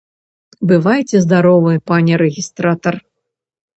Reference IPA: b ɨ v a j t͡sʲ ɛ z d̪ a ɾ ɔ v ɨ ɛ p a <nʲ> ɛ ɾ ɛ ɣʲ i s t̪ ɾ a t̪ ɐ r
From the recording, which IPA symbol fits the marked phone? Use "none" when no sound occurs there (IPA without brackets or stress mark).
nʲ